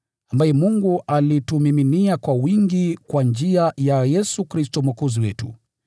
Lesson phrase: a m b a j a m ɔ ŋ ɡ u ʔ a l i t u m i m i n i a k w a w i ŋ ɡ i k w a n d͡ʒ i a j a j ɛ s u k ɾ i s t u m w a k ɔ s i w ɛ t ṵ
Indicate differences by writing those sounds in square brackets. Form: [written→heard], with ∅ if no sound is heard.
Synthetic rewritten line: a m b a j [a→ɛ] m [ɔ→u] ŋ ɡ u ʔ a l i t u m i m i n i a k w a w i ŋ ɡ i k w a n d͡ʒ i a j a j ɛ s u k ɾ i s t [u→ɔ] m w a k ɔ [s→z] i w ɛ t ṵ